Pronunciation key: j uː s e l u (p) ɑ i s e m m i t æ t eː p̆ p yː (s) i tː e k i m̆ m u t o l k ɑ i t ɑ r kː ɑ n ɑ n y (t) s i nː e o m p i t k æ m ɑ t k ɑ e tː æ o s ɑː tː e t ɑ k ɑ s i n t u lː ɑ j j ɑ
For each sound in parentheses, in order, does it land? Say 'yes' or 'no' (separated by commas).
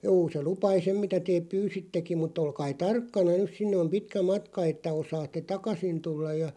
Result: yes, yes, no